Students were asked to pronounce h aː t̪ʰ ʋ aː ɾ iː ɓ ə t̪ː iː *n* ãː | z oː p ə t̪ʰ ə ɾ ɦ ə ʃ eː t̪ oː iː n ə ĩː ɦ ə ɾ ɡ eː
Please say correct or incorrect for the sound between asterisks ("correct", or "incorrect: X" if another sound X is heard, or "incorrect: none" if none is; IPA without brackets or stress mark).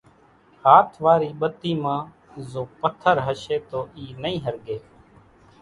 incorrect: m